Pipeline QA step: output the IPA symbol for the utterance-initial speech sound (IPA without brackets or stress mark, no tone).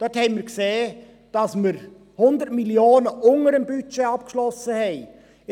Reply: d̥